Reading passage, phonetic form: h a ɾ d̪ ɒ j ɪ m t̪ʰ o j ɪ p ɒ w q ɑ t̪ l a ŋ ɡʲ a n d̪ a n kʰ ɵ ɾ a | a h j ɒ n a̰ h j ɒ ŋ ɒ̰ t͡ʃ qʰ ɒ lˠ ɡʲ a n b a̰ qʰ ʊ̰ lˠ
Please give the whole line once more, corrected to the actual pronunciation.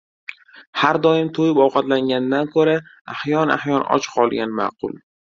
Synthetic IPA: h a ɾ d̪ ɒ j ɪ m t̪ʰ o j ɪ p ɒ w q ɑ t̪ l a ŋ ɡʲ a n d̪ a n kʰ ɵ ɾ a | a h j ɒ n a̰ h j ɒ n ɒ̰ t͡ʃ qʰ ɒ lˠ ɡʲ a n m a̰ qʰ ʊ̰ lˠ